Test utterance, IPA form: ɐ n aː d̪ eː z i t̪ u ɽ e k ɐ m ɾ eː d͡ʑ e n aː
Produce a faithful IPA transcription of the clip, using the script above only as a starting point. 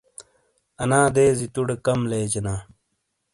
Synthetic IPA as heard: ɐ n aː d̪ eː z i t̪ u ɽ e k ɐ m l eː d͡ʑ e n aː